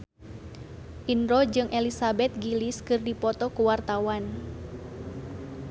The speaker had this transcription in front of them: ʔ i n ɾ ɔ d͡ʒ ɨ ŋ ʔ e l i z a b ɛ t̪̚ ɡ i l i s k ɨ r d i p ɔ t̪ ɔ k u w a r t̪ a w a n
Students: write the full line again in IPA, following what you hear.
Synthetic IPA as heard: ʔ i n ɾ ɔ d͡ʒ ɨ ŋ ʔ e l i s a b ɛ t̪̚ ɡ i l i s k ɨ r d i p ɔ t̪ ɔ k u w a r t̪ a w a n